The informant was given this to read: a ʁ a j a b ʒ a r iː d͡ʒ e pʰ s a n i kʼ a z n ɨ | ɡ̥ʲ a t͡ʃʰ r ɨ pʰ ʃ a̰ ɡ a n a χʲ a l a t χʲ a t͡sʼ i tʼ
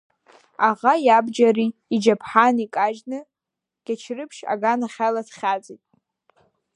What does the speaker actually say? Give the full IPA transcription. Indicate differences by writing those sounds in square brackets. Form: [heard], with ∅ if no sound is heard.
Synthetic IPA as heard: a ʁ a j a b [d͡ʒ] a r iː d͡ʒ [a] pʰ [ħ] a n i kʼ a [ʒ] n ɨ | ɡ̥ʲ a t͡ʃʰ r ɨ pʰ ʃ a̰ ɡ a n a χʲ a l a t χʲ a t͡sʼ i tʼ